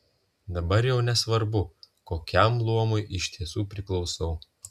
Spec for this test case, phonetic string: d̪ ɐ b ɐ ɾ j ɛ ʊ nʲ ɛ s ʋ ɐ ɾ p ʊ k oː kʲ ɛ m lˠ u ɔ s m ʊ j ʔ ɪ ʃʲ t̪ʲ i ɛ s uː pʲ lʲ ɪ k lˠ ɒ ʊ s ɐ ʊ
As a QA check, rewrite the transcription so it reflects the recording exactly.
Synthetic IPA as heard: d̪ ɐ b ɐ ɾ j ɛ ʊ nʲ ɛ s ʋ ɐ ɾ b ʊ k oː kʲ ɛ m lˠ u ɔ m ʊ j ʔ ɪ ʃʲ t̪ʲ i ɛ s uː pʲ ɾʲ ɪ k lˠ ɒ ʊ s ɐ ʊ